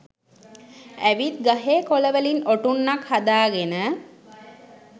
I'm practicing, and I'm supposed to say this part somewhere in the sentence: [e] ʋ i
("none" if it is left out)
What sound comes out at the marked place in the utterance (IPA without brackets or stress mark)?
æ